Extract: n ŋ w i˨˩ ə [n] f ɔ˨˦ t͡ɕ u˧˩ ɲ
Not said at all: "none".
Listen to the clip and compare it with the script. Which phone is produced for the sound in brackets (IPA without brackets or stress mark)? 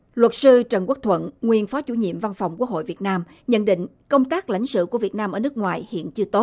n